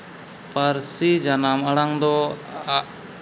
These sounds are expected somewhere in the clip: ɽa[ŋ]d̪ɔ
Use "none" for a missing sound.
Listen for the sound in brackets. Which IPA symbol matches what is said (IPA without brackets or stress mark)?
ŋ